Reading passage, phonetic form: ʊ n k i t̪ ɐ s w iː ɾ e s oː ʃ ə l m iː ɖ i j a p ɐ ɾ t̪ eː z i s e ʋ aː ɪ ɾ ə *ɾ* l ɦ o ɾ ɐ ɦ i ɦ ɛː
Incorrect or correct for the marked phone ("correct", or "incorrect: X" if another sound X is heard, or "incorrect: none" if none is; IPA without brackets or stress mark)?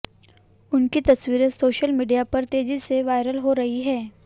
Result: incorrect: none